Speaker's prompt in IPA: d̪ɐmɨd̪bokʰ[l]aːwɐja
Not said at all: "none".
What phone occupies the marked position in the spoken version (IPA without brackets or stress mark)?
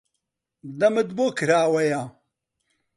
ɾ